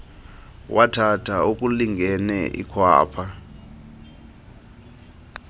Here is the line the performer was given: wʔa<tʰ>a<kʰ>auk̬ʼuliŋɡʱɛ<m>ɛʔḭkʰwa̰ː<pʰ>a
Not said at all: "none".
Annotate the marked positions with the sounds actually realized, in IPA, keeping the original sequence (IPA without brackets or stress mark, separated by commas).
tʰ, tʰ, n, pʰ